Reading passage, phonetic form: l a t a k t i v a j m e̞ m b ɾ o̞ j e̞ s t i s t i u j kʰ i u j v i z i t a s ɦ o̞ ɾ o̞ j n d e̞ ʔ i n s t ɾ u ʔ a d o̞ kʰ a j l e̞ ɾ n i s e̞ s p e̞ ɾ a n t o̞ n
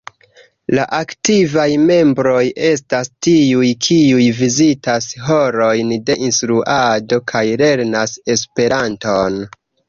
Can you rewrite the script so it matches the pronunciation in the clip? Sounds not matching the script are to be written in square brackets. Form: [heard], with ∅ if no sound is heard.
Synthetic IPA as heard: l a [ʔ] a k t i v a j m e̞ m b ɾ o̞ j e̞ s t [a] s t i u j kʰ i u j v i z i t a s ɦ o̞ ɾ o̞ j n d e̞ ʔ i n s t ɾ u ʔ a d o̞ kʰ a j l e̞ ɾ n [a] s e̞ s p e̞ ɾ a n t o̞ n

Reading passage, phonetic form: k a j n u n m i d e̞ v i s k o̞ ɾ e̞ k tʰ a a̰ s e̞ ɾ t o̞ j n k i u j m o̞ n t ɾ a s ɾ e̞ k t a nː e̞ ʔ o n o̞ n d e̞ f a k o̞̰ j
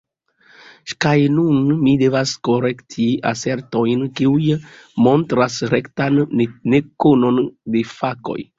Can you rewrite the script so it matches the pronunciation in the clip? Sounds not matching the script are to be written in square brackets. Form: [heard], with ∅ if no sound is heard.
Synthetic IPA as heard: k a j n u n m i d e̞ v [a] s k o̞ ɾ e̞ k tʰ [i] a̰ s e̞ ɾ t o̞ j n k i u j m o̞ n t ɾ a s ɾ e̞ k t a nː e̞ [k] o n o̞ n d e̞ f a k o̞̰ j

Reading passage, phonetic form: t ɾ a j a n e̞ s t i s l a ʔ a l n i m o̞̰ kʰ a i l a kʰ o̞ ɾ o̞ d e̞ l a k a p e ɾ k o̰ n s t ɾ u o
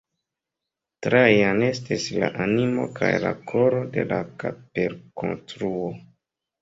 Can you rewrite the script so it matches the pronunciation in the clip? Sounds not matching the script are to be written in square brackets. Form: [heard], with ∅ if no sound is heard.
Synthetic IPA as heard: t ɾ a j a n e̞ s t i s l a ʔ a [∅] n i m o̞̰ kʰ a [j] l a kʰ o̞ ɾ o̞ d e̞ l a k a p e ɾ k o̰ n s t ɾ u o

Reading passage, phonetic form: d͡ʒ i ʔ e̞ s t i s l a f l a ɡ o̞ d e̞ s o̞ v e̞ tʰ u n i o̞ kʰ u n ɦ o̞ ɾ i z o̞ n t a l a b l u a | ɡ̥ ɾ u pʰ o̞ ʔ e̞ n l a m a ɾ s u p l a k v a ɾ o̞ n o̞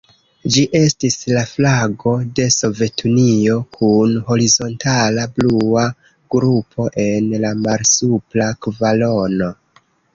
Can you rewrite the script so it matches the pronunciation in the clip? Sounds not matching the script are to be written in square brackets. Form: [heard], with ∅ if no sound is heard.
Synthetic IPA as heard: d͡ʒ i ʔ e̞ s t i s l a f l a ɡ o̞ d e̞ s o̞ v e̞ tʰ u n i o̞ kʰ u n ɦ o̞ ɾ i z o̞ n t a l a b l u a | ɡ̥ ɾ u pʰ o̞ ʔ e̞ n l a m a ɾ s u p l a k v a [l] o̞ n o̞

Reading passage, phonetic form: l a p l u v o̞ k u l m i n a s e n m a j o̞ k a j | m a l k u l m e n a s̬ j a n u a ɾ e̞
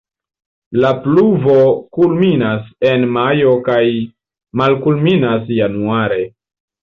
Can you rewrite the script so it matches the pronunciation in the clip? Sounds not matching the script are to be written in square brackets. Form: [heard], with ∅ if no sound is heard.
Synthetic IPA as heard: l a p l u v o̞ k u l m i n a s e n m a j o̞ k a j | m a l k u l m [i] n a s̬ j a n u a ɾ e̞

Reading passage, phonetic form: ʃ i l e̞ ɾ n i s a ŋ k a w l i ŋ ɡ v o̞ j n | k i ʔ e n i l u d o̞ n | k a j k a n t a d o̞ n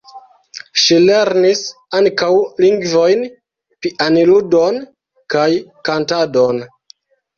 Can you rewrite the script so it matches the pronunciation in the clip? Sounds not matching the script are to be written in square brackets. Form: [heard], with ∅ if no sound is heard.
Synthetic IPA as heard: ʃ i l e̞ ɾ n i s a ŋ k a w l i ŋ ɡ v o̞ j n | [p] i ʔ [a] n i l u d o̞ n | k a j k a n t a d o̞ n

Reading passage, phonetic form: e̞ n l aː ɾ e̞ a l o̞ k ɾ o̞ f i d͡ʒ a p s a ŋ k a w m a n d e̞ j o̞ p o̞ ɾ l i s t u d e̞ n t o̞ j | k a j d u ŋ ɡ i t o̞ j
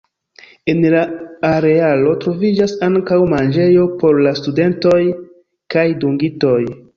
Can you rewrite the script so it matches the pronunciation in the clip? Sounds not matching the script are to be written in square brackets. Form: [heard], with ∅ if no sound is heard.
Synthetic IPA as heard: e̞ n l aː ɾ e̞ a l o̞ [t] ɾ o̞ [v] i d͡ʒ a [∅] s a ŋ k a w m a n [d͡ʒ] e̞ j o̞ p o̞ ɾ l [a] s t u d e̞ n t o̞ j | k a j d u ŋ ɡ i t o̞ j

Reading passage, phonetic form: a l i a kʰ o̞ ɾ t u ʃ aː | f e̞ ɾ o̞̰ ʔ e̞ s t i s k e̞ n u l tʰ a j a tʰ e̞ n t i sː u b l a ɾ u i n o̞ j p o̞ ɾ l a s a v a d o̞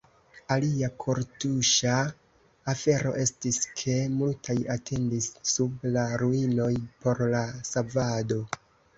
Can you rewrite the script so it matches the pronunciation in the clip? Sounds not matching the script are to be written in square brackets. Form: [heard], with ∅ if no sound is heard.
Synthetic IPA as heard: a l i a kʰ o̞ ɾ t u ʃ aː | f e̞ ɾ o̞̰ ʔ e̞ s t i s [kʰ] e̞ [m] u l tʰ a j a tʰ e̞ n [d] i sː u b l a ɾ u i n o̞ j p o̞ ɾ l a s a v a d o̞

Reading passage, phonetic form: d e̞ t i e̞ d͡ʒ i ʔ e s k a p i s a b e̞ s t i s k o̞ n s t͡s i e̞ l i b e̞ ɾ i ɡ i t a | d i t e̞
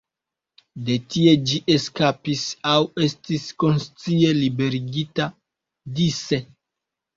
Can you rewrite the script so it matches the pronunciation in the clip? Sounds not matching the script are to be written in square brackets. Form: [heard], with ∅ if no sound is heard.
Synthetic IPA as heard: d e̞ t i e̞ d͡ʒ i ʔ e s k a p i s a [w] e̞ s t i s k o̞ n s t͡s i e̞ l i b e̞ ɾ i ɡ i t a | d i [s] e̞

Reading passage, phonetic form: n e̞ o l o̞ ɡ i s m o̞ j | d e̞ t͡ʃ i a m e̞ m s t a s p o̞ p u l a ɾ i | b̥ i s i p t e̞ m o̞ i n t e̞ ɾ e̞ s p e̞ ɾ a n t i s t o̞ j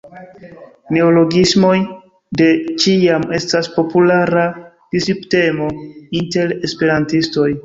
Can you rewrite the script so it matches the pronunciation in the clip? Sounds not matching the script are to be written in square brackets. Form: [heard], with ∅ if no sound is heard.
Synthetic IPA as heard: n e̞ o l o̞ ɡ i s m o̞ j | d e̞ t͡ʃ i a m e̞ [∅] s t a s p o̞ p u l a ɾ [a] | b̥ i s i p t e̞ m o̞ i n t e̞ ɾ e̞ s p e̞ ɾ a n t i s t o̞ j

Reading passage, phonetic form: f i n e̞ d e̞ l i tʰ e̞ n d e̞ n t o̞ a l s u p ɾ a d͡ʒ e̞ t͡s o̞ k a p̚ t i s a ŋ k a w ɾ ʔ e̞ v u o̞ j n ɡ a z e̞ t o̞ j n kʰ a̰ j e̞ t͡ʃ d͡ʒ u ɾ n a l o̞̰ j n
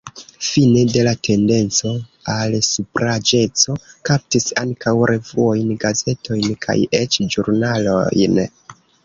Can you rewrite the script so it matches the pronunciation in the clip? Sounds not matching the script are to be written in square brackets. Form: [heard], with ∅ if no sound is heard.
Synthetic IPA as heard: f i n e̞ d e̞ l [a] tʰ e̞ n d e̞ n [t͡s] o̞ a l s u p ɾ a d͡ʒ e̞ t͡s o̞ k a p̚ t i s a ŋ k a w ɾ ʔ e̞ v u o̞ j n ɡ a z e̞ t o̞ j n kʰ a̰ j e̞ t͡ʃ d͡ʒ u ɾ n a l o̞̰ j n

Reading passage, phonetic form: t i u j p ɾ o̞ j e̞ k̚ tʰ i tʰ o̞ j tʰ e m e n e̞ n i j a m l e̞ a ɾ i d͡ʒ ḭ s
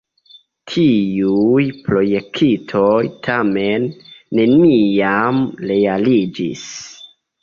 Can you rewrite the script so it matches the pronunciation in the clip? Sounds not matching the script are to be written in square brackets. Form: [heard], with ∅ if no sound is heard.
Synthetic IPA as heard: [tʰ] i u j p ɾ o̞ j e̞ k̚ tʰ i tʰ o̞ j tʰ [a] m e [nː] e̞ n i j a m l e̞ a [l] i d͡ʒ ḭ s

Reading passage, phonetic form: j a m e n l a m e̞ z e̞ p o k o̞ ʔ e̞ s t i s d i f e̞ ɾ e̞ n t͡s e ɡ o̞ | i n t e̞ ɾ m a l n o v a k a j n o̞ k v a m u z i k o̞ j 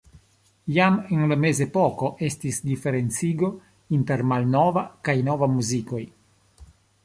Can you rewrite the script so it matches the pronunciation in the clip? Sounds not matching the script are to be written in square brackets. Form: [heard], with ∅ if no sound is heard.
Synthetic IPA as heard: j a m e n l a m e̞ z e̞ p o k o̞ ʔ e̞ s t i s d i f e̞ ɾ e̞ n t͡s [i] ɡ o̞ | i n t e̞ ɾ m a l n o v a k a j n o̞ [∅] v a m u z i k o̞ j

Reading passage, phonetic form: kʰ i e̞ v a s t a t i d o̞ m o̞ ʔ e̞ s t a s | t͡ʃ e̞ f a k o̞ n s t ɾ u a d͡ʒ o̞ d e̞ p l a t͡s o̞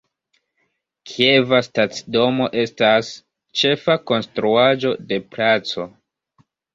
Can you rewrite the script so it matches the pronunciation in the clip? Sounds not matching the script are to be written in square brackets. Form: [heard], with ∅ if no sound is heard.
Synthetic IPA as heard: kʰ i e̞ v a s t a [t͡s] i d o̞ m o̞ ʔ e̞ s t a s | t͡ʃ e̞ f a k o̞ n s t ɾ u a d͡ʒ o̞ d e̞ p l a t͡s o̞

